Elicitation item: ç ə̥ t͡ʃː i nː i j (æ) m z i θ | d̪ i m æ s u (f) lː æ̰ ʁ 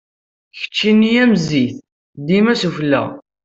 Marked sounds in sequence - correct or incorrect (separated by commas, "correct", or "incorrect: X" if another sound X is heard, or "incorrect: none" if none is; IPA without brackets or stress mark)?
correct, correct